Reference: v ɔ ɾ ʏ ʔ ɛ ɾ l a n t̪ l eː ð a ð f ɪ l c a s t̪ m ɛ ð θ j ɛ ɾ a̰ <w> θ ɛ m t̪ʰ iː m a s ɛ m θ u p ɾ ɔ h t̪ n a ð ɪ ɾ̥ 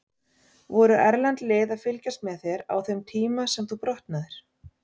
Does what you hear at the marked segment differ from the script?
no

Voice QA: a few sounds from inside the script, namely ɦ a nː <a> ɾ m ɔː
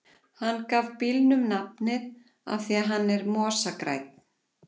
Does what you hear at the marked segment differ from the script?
yes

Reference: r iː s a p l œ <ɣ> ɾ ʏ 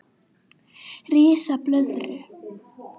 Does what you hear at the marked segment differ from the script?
yes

